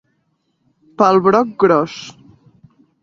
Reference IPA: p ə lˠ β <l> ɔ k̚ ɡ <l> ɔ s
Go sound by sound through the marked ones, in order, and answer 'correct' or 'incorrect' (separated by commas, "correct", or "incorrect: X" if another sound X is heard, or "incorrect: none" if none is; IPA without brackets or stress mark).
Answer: incorrect: ɾ, incorrect: ɾ